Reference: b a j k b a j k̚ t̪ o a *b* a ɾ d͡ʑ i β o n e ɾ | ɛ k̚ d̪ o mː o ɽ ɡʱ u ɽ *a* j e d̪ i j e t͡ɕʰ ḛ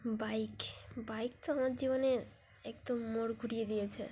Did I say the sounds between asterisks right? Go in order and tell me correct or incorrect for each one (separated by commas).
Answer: incorrect, incorrect